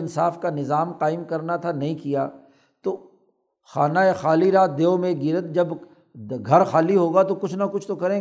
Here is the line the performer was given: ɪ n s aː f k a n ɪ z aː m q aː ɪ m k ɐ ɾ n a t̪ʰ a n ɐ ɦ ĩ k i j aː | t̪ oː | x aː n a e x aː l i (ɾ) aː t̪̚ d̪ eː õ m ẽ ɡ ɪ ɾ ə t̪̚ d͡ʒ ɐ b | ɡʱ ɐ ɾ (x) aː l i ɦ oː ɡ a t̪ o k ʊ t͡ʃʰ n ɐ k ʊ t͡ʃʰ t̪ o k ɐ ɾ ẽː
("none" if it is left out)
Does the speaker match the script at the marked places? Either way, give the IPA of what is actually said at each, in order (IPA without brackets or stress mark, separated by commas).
ɾ, x